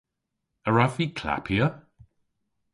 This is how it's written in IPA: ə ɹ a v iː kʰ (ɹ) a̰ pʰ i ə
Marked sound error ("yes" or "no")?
yes